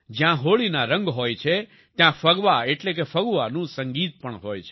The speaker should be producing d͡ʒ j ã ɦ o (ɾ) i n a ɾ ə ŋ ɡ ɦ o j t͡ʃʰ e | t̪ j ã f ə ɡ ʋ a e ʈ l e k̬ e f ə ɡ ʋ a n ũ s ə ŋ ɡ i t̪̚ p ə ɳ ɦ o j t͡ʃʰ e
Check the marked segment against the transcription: incorrect: ɭ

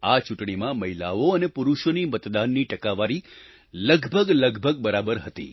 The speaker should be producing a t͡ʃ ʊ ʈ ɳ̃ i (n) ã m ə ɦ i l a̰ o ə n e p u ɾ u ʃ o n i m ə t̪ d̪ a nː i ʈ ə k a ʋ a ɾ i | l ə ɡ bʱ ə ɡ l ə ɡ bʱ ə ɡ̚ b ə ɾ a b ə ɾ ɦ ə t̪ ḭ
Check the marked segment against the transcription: incorrect: m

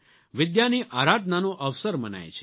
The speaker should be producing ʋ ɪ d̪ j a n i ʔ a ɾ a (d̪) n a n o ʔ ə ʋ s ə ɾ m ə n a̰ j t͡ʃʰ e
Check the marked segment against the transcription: correct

